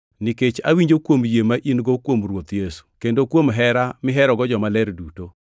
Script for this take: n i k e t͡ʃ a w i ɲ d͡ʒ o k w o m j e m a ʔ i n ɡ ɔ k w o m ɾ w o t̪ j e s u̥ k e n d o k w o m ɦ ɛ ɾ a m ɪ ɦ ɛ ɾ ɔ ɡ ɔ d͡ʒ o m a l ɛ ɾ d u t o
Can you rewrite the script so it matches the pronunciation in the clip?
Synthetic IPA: n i k e t͡ʃ a w i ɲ d͡ʒ o k w o m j e m a ʔ i n ɡ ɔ k w o m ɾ w o t̪ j e s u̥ k e n d o k w o m ɦ ɛ ɾ a m ɪ ɦ ɛ ɾ ɔ ɡ ɔ d͡ʒ ɔ m a l ɛ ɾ d u t o